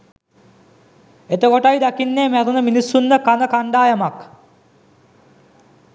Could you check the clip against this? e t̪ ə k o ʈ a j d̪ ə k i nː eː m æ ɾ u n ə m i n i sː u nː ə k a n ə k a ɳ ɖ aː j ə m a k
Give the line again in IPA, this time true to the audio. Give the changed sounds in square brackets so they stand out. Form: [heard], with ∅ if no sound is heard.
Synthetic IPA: e t̪ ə k o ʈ a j d̪ [a] k i nː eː m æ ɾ u n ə m i n i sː u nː ə k a n ə k a ɳ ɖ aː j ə m a k